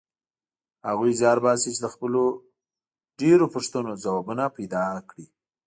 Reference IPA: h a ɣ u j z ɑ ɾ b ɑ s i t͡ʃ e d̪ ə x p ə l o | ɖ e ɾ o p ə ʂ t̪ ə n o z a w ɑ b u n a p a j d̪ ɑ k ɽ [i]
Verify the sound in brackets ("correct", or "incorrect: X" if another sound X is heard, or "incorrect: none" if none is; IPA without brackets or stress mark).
correct